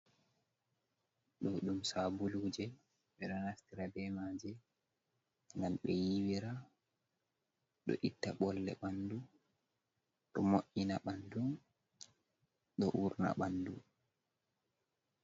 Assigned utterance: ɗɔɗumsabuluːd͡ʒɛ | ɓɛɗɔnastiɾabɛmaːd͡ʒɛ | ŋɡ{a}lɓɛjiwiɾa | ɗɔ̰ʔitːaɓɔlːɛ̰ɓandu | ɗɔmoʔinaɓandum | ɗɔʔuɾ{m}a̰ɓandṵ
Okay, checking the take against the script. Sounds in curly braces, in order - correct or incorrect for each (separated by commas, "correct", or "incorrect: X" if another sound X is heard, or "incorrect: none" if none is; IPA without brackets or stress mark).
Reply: correct, incorrect: n